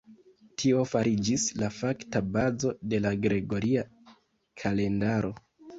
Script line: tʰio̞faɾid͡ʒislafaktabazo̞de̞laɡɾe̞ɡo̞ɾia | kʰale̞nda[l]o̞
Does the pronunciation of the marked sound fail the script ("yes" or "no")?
yes